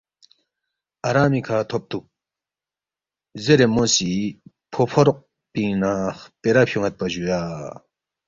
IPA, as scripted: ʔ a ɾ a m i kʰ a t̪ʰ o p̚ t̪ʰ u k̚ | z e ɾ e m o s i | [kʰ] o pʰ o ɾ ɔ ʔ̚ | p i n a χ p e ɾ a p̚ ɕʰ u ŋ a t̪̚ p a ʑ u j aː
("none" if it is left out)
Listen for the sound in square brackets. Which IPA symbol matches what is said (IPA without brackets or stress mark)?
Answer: pʰ